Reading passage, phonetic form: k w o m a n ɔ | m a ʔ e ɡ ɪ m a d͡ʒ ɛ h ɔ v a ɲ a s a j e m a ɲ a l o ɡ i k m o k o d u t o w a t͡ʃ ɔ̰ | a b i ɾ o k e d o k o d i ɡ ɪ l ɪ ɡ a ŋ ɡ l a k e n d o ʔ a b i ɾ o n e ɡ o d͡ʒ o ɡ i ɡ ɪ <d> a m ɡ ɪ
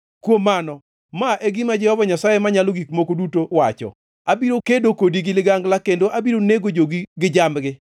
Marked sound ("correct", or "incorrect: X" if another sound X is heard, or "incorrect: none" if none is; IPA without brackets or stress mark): incorrect: d͡ʒ